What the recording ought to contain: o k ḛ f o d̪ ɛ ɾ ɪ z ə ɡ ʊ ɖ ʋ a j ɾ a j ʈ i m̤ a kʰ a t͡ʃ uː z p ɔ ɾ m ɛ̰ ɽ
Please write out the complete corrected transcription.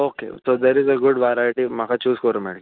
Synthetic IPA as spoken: o k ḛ s o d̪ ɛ ɾ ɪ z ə ɡ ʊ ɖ ʋ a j ɾ a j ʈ i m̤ a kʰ a t͡ʃ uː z k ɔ ɾ m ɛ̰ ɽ